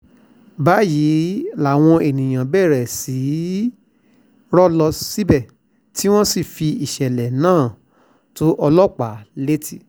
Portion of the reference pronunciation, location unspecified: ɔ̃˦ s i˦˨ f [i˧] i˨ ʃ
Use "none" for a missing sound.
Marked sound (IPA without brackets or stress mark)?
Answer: i˧